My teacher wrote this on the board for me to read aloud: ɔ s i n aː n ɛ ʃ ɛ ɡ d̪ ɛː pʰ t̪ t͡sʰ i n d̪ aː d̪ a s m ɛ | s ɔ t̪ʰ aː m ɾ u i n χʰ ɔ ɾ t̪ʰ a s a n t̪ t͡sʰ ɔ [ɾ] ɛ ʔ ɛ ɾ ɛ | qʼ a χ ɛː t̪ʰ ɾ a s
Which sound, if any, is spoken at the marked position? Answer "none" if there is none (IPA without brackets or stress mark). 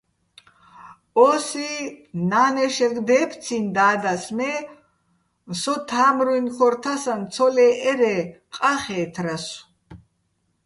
l